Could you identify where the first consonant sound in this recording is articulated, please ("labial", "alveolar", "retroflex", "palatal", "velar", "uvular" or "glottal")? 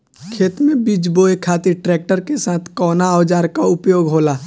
velar